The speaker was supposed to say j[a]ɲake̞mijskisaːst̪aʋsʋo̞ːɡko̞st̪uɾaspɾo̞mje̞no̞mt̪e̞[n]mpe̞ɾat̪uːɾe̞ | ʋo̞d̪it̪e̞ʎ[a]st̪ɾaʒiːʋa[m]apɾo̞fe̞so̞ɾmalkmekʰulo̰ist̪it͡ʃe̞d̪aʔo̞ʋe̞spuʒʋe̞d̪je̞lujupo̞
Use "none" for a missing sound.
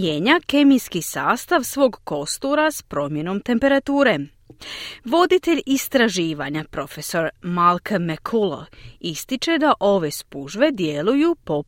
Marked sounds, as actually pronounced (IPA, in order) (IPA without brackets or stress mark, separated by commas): e, none, i, ɲ